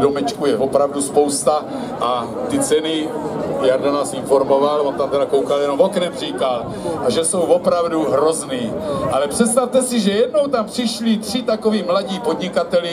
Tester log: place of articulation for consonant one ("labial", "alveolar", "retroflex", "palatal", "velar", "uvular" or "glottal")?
alveolar